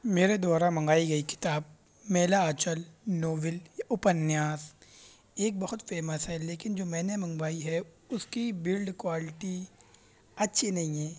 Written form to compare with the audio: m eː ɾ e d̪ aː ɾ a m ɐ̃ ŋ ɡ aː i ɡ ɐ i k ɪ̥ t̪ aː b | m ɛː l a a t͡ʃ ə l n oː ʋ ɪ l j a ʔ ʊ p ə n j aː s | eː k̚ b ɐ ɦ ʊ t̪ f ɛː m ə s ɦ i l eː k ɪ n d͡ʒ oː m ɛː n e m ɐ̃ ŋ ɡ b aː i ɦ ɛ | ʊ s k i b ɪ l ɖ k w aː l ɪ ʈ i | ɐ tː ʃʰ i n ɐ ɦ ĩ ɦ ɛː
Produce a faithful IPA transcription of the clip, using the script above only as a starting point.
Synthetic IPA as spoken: m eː ɾ e d̪ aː ɾ a m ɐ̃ ŋ ɡ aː i ɡ ɐ i k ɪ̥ t̪ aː b | m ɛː l a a t͡ʃ ə l n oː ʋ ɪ l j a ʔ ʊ p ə n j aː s | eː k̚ b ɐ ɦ ʊ t̪ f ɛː m ə s ɦ ɛ l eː k ɪ n d͡ʒ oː m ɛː n e m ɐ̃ ŋ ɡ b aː i ɦ ɛ | ʊ s k i b ɪ l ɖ k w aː l ɪ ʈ i | ɐ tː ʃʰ i n ɐ ɦ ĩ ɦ ɛː